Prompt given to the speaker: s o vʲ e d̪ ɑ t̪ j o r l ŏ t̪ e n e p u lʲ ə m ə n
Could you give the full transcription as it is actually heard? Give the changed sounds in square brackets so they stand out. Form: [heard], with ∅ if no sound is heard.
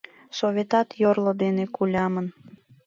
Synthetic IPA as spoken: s o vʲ e [t̪] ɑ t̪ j o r l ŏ [d̪] e n e [k] u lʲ [ɑ] m ə n